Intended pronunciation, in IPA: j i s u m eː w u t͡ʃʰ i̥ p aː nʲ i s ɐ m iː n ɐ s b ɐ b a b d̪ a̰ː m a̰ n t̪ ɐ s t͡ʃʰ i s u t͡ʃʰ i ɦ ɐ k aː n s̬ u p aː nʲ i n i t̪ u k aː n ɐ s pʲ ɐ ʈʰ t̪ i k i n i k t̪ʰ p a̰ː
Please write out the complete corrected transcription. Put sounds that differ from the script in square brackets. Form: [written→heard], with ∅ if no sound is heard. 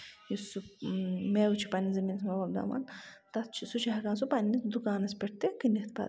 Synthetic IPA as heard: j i s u m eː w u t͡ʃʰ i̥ p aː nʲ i [s→z] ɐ m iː n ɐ s [b→m] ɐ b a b d̪ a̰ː m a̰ n t̪ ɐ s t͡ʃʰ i s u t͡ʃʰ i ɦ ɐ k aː n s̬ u p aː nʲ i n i [t̪→d̪] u k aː n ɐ s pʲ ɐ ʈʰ t̪ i k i n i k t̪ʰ p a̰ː